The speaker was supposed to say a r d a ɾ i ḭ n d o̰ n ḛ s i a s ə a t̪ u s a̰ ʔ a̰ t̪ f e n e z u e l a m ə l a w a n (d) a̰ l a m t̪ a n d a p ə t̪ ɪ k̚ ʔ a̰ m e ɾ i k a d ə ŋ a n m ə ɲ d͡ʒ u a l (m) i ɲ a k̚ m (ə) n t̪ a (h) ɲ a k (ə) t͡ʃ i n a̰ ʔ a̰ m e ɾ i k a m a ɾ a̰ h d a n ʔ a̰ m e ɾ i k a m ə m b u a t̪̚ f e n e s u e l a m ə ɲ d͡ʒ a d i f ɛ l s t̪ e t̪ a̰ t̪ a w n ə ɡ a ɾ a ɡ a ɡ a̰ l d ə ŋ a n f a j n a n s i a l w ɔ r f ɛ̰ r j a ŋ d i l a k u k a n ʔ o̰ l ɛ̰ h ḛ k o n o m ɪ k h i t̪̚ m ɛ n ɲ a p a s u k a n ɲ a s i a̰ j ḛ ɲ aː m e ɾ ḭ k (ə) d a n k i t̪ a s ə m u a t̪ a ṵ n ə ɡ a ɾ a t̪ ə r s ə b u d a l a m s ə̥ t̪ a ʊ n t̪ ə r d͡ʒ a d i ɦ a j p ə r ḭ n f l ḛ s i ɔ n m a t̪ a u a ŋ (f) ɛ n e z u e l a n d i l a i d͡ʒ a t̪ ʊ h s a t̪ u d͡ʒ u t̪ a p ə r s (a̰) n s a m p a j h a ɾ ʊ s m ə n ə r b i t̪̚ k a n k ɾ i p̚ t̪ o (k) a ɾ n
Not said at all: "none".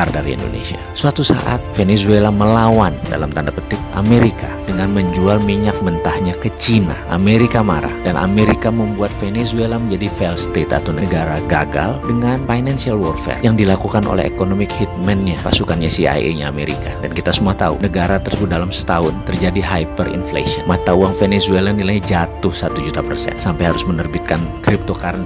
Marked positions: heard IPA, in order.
d, m, ə, h, ə, a, f, ɛ̰, k

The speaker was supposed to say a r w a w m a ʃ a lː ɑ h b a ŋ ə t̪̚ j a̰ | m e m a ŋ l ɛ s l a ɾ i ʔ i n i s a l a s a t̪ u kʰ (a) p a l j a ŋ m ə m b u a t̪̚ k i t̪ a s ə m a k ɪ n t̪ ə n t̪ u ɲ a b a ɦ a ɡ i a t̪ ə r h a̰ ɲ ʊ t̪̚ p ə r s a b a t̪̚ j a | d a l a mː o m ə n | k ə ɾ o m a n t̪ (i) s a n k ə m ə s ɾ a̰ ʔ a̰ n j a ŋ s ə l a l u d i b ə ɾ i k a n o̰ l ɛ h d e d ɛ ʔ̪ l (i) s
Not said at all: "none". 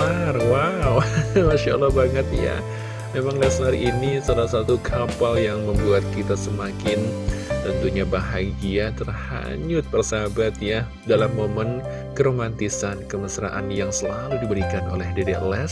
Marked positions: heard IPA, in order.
a, i, ɛ

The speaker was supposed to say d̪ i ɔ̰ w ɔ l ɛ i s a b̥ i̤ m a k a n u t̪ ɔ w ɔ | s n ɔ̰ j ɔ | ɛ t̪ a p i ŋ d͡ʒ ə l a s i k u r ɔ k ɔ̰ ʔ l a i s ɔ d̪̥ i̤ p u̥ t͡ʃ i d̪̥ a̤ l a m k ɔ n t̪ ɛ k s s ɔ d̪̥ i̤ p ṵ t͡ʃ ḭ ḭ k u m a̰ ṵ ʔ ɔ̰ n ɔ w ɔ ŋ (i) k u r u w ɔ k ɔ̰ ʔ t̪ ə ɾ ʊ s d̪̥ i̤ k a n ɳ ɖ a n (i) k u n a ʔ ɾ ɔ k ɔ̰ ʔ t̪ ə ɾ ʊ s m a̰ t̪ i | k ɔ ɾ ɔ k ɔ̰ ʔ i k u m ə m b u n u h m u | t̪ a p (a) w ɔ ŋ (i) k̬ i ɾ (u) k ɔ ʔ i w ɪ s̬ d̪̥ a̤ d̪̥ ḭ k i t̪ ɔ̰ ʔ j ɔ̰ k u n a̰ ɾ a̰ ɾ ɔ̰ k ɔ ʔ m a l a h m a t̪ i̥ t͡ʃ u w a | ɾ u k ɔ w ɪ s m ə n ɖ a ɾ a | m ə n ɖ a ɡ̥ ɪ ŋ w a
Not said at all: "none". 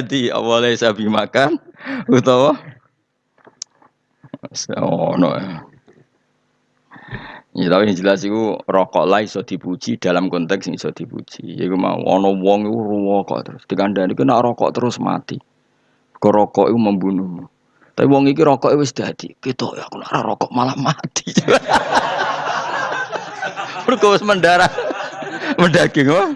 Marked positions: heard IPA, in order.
i, i, i, i, ɔ

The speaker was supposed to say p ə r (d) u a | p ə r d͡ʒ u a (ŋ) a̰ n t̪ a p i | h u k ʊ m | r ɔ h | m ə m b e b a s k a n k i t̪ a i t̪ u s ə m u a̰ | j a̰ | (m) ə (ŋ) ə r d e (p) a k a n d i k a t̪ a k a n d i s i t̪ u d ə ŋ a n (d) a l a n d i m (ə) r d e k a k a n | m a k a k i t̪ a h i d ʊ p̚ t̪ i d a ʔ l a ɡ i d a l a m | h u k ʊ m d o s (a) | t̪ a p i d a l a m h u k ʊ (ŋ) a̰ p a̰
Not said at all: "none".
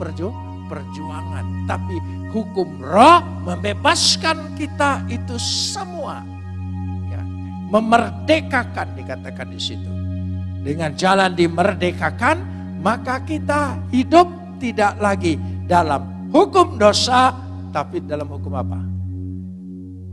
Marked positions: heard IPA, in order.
d͡ʒ, ŋ, m, m, k, d͡ʒ, ə, a, m

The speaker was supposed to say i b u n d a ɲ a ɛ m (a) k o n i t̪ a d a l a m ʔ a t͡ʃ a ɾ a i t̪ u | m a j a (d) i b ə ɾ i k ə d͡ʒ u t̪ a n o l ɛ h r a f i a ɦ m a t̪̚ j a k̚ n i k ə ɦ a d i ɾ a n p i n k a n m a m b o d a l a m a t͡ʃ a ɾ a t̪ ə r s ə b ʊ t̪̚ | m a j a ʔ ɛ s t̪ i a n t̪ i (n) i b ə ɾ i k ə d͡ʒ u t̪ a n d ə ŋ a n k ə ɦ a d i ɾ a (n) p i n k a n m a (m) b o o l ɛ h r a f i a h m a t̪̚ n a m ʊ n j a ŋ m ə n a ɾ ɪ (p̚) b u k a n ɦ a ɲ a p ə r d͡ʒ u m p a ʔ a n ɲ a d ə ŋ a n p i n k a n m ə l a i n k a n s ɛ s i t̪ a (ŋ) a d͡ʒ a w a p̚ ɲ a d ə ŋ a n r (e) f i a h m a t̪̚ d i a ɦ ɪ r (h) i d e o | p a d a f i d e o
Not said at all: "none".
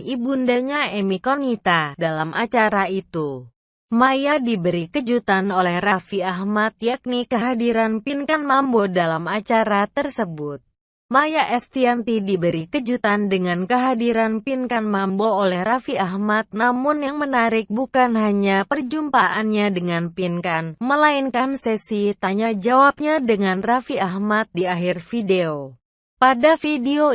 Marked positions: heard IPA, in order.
i, d, d, n, m, k̚, ɲ, a, f

